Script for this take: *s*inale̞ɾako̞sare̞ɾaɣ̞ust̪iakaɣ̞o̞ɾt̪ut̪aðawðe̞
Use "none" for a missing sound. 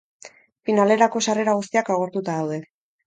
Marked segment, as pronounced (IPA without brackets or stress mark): f